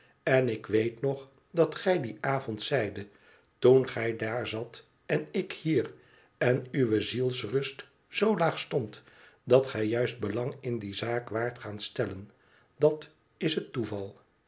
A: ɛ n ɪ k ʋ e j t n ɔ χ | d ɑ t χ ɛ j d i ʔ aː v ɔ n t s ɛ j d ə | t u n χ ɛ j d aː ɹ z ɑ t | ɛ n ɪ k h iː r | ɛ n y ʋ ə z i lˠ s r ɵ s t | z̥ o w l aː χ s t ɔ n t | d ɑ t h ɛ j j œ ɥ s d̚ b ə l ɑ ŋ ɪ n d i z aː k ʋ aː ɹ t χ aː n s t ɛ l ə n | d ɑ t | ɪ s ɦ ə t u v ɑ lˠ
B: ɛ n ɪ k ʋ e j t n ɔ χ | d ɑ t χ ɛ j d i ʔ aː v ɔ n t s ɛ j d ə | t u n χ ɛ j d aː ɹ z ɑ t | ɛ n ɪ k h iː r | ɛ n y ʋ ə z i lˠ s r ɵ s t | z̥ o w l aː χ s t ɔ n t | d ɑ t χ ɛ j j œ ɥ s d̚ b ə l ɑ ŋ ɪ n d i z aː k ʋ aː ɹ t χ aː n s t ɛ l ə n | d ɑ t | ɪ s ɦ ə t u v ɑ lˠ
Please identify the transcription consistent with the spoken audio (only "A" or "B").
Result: B